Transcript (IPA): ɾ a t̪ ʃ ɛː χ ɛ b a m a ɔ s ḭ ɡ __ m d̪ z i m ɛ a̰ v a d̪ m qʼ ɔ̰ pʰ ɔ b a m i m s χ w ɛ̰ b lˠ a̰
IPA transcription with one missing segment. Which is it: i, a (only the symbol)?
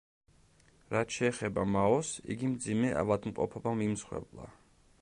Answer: i